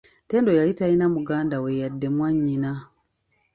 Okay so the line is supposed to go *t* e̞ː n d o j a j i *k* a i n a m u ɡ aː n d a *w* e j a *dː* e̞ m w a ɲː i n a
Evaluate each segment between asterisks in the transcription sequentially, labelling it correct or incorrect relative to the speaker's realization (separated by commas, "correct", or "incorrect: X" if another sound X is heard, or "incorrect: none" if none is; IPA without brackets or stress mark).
correct, incorrect: t, correct, correct